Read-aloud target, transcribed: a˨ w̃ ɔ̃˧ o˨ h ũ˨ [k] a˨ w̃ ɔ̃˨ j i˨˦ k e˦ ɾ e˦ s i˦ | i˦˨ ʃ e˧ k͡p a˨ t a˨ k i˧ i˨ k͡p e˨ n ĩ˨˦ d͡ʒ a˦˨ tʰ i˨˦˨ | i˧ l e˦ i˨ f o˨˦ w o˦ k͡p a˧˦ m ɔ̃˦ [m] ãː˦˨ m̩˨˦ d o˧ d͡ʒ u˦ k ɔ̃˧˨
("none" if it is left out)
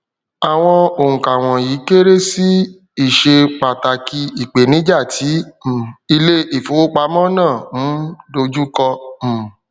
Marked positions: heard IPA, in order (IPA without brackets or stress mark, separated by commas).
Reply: k, n